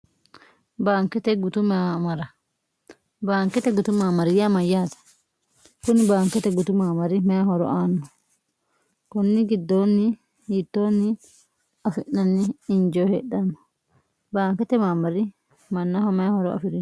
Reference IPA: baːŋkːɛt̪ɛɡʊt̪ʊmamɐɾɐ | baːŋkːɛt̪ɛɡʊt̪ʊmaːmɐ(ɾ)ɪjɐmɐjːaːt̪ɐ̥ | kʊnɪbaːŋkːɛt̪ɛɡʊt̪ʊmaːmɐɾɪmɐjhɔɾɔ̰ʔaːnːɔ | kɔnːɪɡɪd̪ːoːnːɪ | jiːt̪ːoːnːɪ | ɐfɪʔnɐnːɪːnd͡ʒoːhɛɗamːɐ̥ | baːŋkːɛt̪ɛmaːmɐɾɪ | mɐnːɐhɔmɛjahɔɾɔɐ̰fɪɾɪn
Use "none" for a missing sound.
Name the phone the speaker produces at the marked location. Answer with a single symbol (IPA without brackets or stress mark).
ɾ